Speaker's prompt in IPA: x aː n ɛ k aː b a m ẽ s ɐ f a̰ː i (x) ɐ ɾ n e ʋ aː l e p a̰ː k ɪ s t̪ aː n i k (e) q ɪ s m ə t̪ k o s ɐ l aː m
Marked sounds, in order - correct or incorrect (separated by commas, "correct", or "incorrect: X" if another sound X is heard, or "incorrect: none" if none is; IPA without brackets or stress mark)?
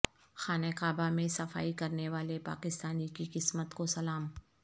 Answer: incorrect: k, incorrect: i